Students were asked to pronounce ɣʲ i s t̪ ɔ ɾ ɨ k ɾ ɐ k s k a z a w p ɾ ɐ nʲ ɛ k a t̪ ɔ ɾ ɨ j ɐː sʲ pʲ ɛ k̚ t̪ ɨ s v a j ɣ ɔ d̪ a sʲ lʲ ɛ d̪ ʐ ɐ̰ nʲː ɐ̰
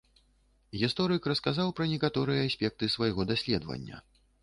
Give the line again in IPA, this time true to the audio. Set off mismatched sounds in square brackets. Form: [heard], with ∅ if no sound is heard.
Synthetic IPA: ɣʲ i s t̪ ɔ ɾ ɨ k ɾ ɐ [∅] s k a z a w p ɾ ɐ nʲ ɛ k a t̪ ɔ ɾ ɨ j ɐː sʲ pʲ ɛ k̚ t̪ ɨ s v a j ɣ ɔ d̪ a sʲ lʲ ɛ d̪ [v] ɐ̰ nʲː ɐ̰